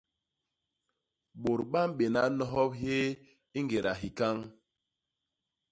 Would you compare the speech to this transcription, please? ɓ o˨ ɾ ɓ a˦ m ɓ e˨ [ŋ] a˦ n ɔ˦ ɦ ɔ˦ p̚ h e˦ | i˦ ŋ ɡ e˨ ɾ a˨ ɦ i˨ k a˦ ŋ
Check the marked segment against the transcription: incorrect: n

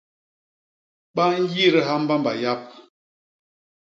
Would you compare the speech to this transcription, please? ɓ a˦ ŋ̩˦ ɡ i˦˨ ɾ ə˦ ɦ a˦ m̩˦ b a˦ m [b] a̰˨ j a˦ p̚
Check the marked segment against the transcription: correct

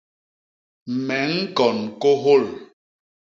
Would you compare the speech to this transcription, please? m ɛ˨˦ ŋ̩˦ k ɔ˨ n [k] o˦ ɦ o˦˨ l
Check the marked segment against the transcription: correct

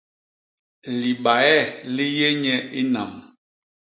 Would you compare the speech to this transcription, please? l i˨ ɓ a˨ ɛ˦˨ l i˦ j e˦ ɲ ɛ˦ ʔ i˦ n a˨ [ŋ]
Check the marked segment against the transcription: incorrect: m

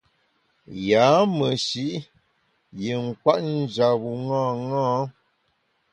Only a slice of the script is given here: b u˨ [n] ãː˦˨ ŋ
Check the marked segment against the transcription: incorrect: ŋ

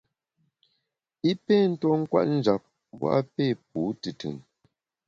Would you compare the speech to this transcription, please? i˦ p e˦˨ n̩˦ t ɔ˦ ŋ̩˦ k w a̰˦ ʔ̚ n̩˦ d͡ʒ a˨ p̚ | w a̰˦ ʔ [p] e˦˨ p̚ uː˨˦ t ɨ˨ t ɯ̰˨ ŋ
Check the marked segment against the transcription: correct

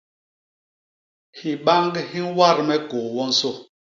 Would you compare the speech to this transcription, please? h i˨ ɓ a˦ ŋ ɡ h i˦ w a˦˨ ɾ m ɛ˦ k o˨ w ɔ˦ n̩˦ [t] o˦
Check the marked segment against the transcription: incorrect: s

